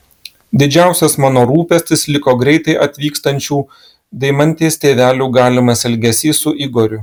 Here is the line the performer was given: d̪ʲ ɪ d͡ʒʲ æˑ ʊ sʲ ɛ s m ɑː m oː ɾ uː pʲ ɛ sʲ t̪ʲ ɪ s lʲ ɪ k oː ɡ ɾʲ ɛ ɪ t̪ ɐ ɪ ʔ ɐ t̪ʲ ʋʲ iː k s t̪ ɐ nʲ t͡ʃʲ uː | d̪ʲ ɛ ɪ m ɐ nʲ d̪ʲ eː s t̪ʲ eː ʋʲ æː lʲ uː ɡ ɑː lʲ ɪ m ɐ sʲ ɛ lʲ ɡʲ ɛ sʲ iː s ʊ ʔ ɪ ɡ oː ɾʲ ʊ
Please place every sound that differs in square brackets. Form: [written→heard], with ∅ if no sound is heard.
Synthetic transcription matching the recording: d̪ʲ ɪ d͡ʒʲ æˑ ʊ sʲ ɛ s m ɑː [m→n] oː ɾ uː pʲ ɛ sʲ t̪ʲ ɪ s lʲ ɪ k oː ɡ ɾʲ ɛ ɪ t̪ ɐ ɪ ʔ ɐ t̪ʲ ʋʲ iː k s t̪ ɐ nʲ t͡ʃʲ uː | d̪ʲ ɛ ɪ m ɐ nʲ [d̪ʲ→t̪ʲ] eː s t̪ʲ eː ʋʲ æː lʲ uː ɡ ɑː lʲ ɪ m ɐ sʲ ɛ lʲ ɡʲ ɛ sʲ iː s ʊ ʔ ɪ ɡ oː ɾʲ ʊ